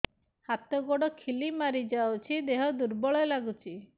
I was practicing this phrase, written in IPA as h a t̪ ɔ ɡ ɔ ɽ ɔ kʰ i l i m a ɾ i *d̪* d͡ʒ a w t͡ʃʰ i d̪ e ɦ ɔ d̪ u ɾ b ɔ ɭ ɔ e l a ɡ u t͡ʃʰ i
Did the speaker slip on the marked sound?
yes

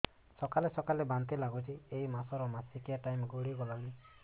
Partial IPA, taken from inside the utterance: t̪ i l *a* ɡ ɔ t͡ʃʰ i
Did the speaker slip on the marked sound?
no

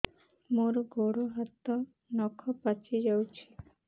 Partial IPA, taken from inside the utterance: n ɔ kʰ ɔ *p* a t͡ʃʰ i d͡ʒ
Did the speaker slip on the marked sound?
no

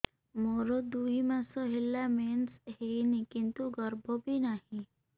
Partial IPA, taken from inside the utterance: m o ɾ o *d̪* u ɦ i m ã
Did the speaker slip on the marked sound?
no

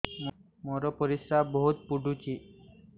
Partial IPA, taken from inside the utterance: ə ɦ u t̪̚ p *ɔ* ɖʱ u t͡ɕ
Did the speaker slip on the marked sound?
yes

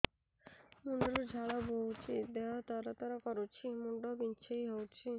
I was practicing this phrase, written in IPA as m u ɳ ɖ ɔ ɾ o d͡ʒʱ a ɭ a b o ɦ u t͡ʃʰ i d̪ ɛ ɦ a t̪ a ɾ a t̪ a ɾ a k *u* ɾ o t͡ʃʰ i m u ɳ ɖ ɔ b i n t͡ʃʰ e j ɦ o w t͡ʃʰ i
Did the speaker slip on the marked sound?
yes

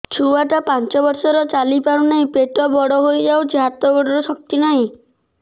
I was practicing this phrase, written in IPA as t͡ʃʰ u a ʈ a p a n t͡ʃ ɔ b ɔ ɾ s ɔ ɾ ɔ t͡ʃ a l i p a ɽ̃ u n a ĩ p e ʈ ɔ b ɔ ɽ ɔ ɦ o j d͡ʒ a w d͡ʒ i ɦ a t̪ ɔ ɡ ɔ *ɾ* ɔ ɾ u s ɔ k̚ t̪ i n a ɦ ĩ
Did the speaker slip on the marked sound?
yes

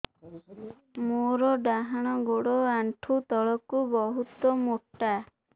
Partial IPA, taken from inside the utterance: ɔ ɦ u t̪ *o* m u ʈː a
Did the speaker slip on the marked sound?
yes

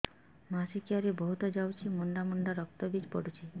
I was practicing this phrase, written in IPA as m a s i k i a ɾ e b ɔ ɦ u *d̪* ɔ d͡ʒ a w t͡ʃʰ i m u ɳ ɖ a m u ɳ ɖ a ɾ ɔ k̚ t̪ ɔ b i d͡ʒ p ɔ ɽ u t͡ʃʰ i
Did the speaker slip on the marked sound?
yes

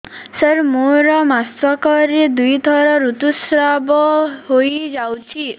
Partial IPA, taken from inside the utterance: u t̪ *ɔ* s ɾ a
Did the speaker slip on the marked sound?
yes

